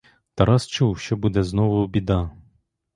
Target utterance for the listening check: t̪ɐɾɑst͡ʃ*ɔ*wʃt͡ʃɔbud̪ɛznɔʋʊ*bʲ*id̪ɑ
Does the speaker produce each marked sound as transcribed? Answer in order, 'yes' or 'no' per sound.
no, yes

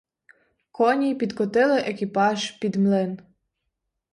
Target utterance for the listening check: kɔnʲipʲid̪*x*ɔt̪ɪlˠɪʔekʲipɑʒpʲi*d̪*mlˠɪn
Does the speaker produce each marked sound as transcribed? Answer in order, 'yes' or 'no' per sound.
no, yes

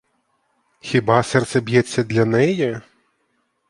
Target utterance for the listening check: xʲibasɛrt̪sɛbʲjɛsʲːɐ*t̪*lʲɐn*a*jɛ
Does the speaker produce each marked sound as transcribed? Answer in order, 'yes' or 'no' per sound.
no, no

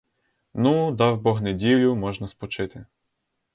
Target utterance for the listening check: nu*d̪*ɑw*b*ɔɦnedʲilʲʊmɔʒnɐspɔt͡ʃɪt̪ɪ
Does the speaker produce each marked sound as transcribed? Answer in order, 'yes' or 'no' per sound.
yes, yes

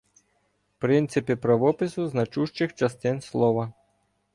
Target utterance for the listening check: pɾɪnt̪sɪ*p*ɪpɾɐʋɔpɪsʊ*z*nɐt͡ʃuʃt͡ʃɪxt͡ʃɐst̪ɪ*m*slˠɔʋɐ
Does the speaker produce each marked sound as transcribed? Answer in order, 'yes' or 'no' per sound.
yes, yes, no

